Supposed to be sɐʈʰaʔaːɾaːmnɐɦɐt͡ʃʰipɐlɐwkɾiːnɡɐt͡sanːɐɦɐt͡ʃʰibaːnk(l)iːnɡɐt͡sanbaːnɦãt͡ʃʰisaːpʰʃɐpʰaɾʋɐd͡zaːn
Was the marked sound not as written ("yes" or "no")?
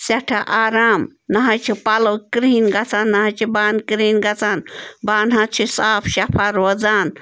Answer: yes